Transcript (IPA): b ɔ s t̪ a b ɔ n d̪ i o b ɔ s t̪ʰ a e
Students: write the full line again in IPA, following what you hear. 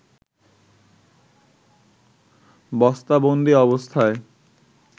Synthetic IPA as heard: b ɔ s t̪ a b o n d̪ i ɔ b o s t̪ʰ a e